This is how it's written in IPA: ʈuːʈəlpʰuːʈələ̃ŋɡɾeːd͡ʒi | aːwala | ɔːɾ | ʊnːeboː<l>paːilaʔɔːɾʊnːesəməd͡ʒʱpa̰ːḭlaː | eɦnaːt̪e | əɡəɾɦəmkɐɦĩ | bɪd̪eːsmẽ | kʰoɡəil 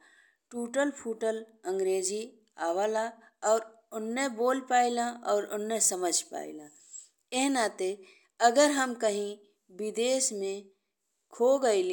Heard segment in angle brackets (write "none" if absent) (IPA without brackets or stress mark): l